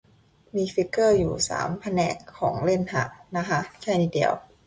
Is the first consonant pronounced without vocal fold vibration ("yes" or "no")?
no